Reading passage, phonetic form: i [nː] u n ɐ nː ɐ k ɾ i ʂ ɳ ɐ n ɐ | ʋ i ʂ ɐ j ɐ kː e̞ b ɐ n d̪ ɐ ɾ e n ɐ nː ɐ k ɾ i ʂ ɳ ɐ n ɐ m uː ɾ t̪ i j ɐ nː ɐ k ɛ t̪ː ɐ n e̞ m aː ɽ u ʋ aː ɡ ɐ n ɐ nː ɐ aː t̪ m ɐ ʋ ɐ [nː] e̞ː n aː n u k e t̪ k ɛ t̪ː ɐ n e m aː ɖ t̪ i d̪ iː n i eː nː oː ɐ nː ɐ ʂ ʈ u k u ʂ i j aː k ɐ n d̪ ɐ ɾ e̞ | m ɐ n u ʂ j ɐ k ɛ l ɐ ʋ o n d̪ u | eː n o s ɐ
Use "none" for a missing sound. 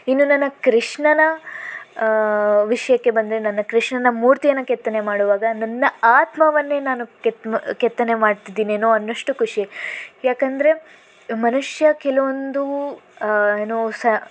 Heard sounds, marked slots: nː, nː

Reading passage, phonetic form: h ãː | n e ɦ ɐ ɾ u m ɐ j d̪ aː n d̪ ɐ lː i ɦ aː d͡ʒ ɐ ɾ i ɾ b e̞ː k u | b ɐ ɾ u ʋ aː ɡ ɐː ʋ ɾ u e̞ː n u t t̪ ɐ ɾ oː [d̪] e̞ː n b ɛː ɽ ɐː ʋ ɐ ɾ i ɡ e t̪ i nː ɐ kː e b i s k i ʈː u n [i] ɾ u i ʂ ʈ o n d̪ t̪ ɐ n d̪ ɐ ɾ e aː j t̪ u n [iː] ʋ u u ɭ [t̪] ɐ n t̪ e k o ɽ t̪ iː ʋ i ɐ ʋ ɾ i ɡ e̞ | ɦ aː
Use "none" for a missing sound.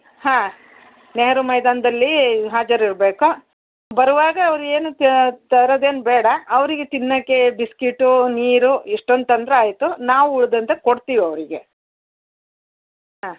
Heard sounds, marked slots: d̪, iː, aː, d̪

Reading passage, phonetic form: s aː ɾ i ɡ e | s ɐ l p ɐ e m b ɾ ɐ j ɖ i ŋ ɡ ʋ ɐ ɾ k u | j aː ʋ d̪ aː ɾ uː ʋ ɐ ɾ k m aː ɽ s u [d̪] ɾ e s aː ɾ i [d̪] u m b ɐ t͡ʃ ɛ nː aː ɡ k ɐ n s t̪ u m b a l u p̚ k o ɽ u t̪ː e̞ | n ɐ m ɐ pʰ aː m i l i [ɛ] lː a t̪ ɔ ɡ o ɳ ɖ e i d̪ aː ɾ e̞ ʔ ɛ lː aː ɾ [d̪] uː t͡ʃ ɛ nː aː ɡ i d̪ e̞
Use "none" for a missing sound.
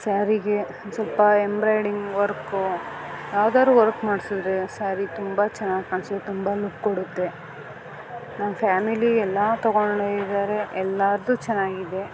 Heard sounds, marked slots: d̪, t̪, ɛ, d̪

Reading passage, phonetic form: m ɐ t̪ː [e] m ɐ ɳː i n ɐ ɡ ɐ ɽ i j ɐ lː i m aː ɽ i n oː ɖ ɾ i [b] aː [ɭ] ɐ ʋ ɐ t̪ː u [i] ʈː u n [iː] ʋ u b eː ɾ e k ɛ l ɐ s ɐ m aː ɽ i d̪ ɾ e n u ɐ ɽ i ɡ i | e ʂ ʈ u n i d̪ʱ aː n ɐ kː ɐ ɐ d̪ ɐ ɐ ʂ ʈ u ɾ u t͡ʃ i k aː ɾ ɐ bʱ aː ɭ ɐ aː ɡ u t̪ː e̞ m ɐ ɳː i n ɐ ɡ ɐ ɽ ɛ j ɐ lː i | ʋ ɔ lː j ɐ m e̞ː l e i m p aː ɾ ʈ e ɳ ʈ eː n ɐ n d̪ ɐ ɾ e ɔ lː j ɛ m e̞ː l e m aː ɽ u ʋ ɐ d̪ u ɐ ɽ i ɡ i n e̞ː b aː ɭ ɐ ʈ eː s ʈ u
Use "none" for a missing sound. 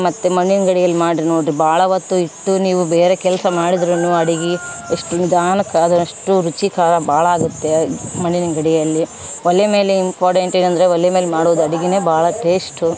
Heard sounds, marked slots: e, b, ɭ, i, iː

